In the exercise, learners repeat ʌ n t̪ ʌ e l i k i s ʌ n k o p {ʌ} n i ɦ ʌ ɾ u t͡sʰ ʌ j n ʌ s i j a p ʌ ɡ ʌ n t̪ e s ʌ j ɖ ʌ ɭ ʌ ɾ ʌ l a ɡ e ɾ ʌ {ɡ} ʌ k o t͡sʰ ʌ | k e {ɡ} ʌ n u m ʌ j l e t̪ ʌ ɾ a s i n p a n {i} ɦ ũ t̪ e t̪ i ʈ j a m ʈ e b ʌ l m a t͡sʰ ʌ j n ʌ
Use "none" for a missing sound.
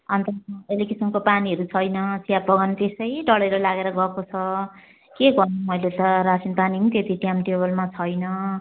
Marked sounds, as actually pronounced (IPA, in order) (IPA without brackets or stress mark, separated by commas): a, ɡ, ɡ, i